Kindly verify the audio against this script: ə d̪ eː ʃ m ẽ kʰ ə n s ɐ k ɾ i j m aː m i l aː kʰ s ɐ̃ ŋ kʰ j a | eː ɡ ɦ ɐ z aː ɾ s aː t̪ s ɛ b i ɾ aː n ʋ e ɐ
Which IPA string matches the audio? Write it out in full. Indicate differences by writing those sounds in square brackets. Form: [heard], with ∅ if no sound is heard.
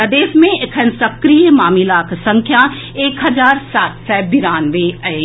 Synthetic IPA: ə d̪ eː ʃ m ẽ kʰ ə n s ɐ k ɾ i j m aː m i l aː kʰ s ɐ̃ ŋ kʰ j a | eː [k] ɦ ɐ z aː ɾ s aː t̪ s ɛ b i ɾ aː n ʋ e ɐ